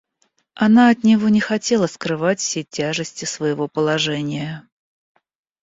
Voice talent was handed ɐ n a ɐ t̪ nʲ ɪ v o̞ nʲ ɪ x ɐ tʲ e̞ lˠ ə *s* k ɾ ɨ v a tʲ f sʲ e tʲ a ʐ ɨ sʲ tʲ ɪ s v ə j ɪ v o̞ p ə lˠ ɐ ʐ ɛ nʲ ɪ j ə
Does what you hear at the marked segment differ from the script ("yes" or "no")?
no